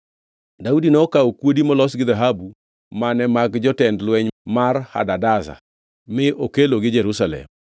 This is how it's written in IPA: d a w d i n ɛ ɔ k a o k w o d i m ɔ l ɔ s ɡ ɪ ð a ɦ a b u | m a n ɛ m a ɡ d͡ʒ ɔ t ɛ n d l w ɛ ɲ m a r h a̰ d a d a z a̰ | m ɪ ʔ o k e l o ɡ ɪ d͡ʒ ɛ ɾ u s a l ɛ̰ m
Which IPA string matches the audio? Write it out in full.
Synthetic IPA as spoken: d a u d i n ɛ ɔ k a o k w o d i m ɔ l ɔ s ɡ ɪ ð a ɦ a b u | m a n ɛ m a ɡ d͡ʒ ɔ t ɛ n d l w ɛ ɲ m a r h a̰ d a d a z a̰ | m ɪ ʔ o k e l o ɡ ɪ d͡ʒ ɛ ɾ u s a l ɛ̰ m